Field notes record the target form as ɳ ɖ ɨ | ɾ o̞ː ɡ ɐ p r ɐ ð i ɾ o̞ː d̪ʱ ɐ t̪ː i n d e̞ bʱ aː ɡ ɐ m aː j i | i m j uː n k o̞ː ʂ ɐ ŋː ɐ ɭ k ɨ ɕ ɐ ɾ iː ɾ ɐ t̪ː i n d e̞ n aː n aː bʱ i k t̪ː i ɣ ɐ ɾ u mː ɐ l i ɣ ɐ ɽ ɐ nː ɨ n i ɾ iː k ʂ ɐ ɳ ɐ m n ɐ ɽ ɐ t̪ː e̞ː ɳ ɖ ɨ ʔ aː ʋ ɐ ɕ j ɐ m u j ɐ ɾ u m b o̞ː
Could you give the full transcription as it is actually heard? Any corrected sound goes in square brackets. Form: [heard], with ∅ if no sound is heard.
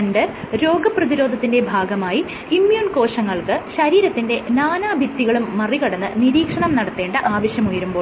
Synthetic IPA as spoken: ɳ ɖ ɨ | ɾ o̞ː ɡ ɐ p r ɐ ð i ɾ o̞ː d̪ʱ ɐ t̪ː i n d e̞ bʱ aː ɡ ɐ m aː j i | i m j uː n k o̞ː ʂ ɐ ŋː ɐ ɭ k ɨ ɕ ɐ ɾ iː ɾ ɐ t̪ː i n d e̞ n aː n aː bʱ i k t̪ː i ɣ ɐ [ɭ] u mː ɐ [r] i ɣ ɐ ɽ ɐ nː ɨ n i ɾ iː k ʂ ɐ ɳ ɐ m n ɐ ɽ ɐ t̪ː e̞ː ɳ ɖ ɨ ʔ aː ʋ ɐ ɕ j ɐ m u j ɐ ɾ u m b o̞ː